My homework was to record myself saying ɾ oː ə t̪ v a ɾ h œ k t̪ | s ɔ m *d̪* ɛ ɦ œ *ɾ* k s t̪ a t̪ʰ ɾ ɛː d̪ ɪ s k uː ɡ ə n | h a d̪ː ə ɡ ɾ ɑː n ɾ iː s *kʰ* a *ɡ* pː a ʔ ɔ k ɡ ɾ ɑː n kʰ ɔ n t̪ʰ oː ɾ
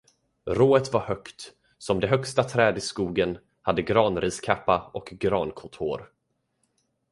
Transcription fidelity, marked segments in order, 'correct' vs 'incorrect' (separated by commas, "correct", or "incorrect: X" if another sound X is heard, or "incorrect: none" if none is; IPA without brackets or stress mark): correct, incorrect: none, correct, incorrect: none